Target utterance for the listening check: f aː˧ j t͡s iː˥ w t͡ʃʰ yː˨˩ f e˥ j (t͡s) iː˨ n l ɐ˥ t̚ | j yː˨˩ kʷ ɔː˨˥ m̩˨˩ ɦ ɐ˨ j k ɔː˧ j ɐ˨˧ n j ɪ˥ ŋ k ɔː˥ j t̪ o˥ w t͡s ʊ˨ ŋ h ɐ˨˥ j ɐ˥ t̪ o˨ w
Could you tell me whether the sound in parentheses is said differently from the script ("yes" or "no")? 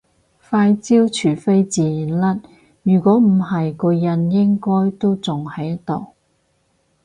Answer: no